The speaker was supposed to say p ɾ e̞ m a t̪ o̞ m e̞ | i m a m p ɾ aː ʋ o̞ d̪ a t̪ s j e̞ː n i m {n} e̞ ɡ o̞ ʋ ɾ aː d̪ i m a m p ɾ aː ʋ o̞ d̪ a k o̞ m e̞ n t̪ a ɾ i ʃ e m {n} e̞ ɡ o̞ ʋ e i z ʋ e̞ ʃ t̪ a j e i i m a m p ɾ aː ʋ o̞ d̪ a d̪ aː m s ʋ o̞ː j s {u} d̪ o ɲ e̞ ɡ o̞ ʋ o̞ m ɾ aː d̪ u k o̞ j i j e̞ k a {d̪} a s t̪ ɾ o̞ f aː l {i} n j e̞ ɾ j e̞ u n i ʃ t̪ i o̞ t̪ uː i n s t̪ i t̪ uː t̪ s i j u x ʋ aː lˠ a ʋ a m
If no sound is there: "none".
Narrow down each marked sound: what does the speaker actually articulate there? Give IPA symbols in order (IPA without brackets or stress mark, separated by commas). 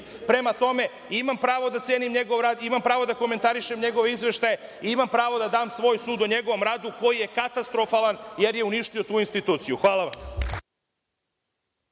ɲ, ɲ, uː, t̪, a